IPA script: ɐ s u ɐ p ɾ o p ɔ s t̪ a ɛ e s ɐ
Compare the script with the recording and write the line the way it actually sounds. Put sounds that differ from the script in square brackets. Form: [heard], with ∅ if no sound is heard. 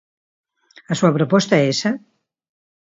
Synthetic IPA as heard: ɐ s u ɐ p ɾ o p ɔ s t̪ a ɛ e s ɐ